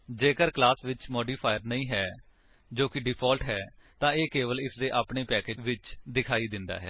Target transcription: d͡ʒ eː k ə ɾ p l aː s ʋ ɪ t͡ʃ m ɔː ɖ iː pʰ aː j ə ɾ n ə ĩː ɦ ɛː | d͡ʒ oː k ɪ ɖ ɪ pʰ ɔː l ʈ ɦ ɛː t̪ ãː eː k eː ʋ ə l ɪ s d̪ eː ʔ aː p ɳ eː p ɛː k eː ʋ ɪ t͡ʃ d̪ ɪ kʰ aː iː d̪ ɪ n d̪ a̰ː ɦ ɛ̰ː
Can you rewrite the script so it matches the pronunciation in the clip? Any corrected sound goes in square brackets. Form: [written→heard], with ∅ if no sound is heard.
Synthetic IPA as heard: d͡ʒ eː k ə ɾ [p→k] l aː s ʋ ɪ t͡ʃ m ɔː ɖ iː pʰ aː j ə ɾ n ə ĩː ɦ ɛː | d͡ʒ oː k ɪ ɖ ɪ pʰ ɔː l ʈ ɦ ɛː t̪ ãː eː k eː ʋ ə l ɪ s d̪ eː ʔ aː p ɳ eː p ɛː k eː ʋ ɪ t͡ʃ d̪ ɪ kʰ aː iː d̪ ɪ n d̪ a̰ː ɦ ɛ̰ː